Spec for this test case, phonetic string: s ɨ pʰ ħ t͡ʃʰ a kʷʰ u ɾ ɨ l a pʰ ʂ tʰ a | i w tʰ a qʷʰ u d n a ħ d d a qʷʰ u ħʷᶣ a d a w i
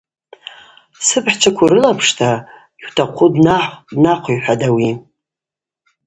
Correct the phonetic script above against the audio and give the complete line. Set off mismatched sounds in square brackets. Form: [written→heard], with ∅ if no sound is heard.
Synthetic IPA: s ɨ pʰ ħ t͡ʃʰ a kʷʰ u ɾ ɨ l a pʰ ʂ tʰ a | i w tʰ a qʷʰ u d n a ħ d [d→n] a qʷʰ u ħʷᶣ a d a w i